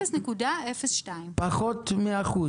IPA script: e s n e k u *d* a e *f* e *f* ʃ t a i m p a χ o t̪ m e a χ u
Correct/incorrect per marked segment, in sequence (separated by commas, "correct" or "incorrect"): correct, correct, incorrect